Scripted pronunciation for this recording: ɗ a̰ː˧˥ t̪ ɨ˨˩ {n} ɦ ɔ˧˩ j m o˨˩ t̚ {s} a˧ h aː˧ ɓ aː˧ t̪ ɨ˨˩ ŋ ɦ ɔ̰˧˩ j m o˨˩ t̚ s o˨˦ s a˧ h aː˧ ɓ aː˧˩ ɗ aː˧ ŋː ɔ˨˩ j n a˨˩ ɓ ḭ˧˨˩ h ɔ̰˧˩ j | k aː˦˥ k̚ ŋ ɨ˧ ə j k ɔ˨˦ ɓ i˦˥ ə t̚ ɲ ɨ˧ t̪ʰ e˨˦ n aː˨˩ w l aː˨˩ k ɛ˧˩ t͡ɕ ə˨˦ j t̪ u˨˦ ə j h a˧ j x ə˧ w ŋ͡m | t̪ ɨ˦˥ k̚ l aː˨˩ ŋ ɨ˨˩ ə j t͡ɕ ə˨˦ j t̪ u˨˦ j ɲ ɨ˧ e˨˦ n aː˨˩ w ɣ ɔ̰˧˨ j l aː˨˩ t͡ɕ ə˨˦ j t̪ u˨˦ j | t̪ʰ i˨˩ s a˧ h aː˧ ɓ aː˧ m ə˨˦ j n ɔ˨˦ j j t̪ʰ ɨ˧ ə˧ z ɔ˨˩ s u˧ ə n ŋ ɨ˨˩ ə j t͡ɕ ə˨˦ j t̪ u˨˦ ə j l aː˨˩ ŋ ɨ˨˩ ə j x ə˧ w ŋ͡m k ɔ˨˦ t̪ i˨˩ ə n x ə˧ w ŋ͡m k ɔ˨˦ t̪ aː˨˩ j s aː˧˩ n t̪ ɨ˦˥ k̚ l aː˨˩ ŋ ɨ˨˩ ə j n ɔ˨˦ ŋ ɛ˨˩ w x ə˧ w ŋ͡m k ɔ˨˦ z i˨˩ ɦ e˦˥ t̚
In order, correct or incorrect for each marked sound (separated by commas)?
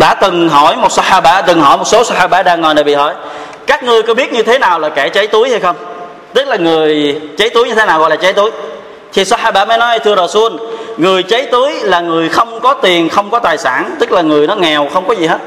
incorrect, correct